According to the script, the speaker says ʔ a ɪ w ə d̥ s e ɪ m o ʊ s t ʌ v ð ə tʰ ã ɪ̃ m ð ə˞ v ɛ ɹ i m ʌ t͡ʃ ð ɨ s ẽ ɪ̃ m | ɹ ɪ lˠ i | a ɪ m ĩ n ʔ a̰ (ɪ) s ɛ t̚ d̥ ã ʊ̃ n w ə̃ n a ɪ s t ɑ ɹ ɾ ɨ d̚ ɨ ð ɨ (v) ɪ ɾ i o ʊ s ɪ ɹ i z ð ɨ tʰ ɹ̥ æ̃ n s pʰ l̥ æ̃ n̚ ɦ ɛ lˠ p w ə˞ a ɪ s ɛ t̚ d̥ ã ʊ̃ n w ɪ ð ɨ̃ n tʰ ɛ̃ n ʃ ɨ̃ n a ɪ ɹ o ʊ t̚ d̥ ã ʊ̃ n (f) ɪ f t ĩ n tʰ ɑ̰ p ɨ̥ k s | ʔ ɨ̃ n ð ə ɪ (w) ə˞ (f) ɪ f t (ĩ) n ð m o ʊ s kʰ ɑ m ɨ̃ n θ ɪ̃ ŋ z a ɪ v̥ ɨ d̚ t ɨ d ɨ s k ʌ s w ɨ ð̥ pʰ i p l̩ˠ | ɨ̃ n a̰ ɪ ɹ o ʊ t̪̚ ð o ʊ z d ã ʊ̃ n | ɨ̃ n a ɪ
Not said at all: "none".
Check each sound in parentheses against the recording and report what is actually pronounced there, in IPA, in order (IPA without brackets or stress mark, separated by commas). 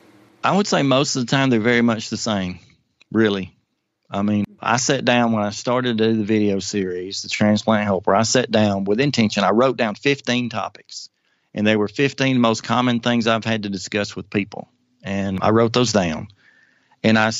ɪ, v, f, w, f, ĩ